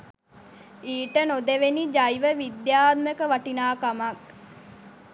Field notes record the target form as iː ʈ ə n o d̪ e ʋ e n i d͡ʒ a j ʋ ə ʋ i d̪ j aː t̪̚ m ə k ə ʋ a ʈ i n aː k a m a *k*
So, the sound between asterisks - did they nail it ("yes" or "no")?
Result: yes